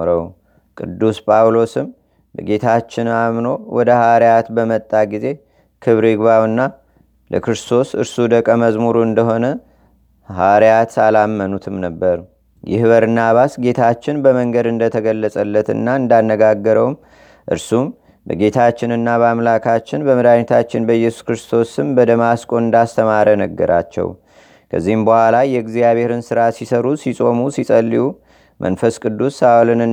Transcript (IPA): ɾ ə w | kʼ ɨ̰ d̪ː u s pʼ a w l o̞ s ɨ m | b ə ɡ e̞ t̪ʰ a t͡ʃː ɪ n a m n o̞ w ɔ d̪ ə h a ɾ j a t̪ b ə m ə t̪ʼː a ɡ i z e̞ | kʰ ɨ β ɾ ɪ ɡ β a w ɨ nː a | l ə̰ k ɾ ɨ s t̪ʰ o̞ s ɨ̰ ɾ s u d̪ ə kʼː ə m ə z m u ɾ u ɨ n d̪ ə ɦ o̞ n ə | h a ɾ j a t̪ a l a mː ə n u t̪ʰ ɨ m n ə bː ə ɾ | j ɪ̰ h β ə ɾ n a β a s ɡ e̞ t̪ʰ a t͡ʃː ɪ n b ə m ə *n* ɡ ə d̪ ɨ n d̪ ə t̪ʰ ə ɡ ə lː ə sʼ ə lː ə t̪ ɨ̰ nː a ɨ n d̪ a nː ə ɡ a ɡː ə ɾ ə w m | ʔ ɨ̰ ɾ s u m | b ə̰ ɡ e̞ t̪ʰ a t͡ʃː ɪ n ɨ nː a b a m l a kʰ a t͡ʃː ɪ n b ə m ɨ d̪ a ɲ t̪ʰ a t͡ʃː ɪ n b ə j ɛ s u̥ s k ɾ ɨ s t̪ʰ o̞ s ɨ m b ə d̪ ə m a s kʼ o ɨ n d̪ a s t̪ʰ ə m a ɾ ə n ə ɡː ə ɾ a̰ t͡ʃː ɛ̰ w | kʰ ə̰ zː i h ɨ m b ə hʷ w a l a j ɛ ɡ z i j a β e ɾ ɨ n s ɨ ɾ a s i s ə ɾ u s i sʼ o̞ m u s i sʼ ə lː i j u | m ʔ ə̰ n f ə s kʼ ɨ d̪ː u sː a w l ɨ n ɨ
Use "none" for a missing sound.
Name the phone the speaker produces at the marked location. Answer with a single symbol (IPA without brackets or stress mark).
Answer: ŋ